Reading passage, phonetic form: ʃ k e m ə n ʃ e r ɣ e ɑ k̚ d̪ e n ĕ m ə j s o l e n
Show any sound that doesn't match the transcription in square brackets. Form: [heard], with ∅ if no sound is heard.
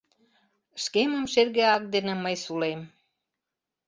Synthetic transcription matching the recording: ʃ k e m ə [m] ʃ e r ɣ e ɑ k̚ d̪ e n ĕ m ə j s [u] l e [m]